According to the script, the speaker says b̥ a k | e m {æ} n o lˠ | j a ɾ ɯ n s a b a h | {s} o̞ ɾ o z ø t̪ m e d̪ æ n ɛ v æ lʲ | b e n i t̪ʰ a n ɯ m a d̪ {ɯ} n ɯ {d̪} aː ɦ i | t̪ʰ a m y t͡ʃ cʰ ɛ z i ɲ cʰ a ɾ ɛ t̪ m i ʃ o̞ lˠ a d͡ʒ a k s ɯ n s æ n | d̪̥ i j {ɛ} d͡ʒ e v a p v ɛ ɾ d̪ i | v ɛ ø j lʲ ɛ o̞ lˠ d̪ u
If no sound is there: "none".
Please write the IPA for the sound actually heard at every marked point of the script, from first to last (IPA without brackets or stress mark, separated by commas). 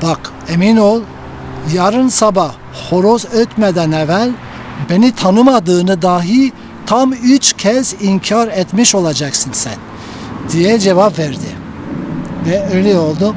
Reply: i, h, ɯː, d̪, ɛ